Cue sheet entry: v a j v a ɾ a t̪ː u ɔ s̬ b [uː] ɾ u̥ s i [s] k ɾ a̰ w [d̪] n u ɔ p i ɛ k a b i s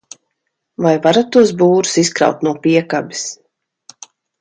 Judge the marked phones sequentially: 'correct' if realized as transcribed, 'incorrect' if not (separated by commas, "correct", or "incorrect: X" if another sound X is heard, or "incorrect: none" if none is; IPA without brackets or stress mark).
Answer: correct, correct, incorrect: t̪